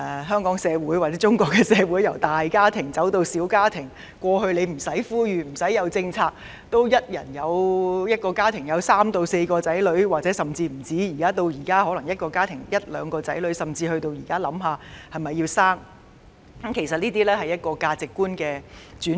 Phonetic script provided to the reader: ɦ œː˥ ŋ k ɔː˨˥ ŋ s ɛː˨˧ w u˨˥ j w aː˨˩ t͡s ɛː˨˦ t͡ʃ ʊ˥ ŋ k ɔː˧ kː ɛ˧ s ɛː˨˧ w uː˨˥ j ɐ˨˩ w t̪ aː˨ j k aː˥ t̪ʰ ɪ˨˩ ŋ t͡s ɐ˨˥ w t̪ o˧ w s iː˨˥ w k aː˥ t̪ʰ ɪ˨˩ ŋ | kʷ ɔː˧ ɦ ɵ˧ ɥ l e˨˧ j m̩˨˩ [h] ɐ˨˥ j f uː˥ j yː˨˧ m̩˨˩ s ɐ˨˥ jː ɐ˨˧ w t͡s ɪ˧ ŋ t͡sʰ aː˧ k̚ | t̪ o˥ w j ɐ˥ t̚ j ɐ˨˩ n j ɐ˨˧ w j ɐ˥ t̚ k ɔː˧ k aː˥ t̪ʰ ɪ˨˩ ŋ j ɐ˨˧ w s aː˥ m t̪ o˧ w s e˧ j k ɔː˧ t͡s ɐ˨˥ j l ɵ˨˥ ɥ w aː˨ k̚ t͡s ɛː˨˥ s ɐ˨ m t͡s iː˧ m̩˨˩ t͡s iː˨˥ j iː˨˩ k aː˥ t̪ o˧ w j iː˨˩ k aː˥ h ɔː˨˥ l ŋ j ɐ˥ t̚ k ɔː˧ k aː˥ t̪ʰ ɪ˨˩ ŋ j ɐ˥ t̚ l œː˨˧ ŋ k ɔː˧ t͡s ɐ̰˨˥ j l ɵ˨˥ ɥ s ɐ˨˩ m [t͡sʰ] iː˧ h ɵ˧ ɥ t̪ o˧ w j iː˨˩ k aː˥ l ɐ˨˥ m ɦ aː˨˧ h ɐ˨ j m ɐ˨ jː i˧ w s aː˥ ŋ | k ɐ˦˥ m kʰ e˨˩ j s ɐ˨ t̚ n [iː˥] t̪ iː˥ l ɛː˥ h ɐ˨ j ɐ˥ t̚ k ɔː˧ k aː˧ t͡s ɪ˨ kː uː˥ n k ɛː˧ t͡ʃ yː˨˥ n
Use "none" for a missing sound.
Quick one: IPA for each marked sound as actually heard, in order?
s, t͡s, iː˥

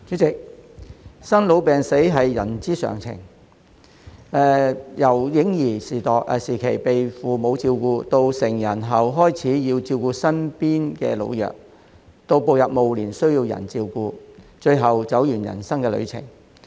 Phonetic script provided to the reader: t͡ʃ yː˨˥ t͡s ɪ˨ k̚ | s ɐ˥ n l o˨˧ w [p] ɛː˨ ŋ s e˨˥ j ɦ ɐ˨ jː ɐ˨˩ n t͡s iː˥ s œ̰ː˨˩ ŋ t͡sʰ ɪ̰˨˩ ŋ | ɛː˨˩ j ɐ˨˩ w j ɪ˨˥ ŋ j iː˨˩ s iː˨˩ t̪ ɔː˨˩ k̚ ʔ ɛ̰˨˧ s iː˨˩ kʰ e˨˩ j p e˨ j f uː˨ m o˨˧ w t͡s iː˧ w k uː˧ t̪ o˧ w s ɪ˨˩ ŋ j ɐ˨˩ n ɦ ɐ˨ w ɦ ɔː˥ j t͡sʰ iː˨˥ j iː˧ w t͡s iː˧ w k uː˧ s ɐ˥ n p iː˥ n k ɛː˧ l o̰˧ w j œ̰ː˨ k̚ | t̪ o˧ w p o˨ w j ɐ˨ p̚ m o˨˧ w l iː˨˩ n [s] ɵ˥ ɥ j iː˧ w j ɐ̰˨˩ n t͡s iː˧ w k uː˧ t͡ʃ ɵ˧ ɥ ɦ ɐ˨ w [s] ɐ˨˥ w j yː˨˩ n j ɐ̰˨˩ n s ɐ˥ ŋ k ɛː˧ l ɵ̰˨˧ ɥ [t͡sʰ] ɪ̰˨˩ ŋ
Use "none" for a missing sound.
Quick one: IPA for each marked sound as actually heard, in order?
p, s, t͡s, t͡sʰ

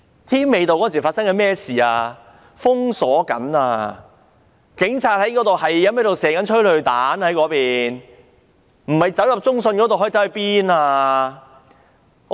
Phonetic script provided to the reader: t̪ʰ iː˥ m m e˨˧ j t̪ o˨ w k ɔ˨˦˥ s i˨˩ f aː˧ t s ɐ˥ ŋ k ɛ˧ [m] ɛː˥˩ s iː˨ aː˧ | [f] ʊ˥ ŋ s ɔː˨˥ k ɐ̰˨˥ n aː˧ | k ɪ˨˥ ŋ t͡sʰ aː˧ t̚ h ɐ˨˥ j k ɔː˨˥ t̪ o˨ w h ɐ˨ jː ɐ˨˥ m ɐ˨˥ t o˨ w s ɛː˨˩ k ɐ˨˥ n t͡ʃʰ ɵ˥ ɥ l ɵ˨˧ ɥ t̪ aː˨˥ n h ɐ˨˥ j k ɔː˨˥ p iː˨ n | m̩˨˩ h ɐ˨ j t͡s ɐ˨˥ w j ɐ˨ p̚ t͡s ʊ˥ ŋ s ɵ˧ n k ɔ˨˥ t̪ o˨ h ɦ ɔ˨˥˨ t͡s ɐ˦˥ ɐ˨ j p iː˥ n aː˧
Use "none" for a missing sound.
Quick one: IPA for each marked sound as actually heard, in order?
m, f

